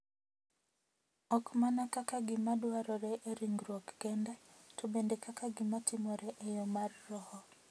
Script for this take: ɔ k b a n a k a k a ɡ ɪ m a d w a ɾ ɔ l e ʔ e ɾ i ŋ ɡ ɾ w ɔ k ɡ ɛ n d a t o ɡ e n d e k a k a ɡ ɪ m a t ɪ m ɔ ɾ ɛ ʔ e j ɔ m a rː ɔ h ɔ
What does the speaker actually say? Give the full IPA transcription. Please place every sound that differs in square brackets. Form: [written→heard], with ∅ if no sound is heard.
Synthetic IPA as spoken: ɔ k [b→m] a n a k a k a ɡ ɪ m a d w a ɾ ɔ [l→ɾ] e ʔ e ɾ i ŋ ɡ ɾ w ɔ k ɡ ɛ n d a t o [ɡ→b] e n d e k a k a ɡ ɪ m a t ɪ m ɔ ɾ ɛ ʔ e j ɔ m a rː ɔ h ɔ